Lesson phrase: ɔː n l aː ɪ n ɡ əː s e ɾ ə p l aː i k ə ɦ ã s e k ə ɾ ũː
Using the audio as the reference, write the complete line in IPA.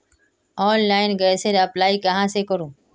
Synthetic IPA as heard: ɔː n l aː ɪ n ɡ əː s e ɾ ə p l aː i k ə ɦ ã s e k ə ɾ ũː